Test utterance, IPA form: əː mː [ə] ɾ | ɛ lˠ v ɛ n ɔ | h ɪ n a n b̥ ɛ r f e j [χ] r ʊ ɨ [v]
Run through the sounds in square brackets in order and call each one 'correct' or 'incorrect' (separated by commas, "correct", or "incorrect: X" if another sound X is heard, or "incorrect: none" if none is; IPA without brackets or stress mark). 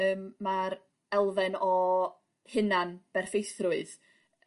incorrect: a, incorrect: θ, incorrect: ð